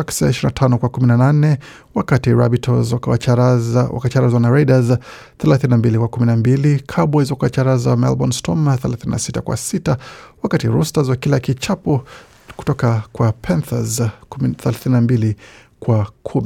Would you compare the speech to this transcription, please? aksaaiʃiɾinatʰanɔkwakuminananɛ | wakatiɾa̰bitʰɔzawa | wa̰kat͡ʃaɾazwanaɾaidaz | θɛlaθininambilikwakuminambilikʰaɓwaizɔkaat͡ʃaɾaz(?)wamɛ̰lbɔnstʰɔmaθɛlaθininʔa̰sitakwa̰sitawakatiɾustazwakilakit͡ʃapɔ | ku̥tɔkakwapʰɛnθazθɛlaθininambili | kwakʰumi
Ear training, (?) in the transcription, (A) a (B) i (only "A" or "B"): A